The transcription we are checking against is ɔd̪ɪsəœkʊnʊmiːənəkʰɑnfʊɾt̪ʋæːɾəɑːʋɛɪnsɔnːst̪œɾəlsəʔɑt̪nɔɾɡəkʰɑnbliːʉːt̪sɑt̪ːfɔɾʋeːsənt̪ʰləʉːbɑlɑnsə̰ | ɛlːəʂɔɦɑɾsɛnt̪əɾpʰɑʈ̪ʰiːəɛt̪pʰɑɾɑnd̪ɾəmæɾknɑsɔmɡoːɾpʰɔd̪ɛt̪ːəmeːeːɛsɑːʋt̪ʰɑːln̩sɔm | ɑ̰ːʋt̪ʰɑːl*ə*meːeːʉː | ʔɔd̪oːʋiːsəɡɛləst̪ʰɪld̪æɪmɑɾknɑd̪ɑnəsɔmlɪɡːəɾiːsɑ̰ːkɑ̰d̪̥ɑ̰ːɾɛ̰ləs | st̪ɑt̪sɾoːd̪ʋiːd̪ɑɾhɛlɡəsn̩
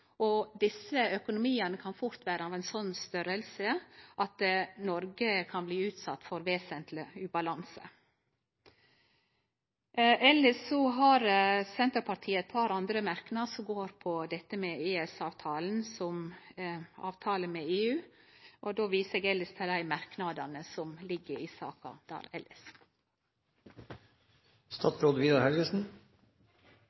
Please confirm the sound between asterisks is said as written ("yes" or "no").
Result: yes